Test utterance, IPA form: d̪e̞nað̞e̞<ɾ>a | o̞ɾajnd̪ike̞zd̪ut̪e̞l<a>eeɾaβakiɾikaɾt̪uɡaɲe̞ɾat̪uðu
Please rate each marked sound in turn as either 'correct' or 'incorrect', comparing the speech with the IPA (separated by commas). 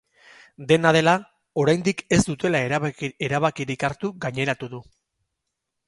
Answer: incorrect, correct